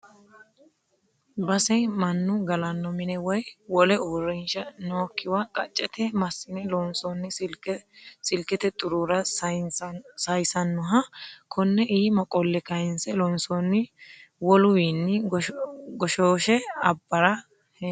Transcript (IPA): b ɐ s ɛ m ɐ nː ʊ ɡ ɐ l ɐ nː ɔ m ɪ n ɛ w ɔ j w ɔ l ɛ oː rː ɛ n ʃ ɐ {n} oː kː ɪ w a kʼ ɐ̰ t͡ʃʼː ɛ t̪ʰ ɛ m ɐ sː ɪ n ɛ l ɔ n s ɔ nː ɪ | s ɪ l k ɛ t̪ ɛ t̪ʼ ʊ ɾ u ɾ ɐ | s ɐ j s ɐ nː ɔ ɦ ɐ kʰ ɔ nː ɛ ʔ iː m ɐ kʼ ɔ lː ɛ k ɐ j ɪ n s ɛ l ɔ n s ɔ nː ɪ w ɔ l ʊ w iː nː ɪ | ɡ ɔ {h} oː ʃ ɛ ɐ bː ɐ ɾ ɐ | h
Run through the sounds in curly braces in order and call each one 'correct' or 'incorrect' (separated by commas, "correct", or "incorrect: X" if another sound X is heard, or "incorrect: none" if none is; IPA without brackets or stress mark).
correct, incorrect: ʃ